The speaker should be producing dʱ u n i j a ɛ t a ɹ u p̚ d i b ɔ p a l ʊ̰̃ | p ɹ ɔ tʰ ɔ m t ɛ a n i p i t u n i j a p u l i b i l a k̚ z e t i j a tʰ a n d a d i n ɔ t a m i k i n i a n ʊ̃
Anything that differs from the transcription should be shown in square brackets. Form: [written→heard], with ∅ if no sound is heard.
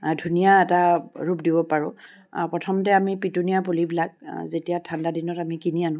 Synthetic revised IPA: dʱ u n i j a ɛ t a ɹ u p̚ d i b ɔ p a [l→ɹ] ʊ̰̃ | p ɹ ɔ tʰ ɔ m t ɛ a [n→m] i p i t u n i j a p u l i b i l a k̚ z e t i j a tʰ a n d a d i n ɔ t a m i k i n i a n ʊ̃